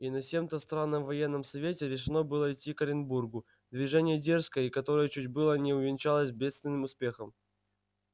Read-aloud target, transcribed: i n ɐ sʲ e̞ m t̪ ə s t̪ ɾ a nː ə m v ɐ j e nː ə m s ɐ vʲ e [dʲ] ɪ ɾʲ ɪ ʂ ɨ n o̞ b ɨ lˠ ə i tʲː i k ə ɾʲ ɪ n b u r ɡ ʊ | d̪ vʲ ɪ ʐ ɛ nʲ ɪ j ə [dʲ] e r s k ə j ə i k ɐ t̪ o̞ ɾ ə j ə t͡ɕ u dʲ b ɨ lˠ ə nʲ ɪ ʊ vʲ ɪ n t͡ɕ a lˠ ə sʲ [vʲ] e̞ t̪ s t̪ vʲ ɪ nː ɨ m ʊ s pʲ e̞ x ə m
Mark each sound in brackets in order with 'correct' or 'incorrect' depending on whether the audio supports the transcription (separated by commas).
incorrect, correct, incorrect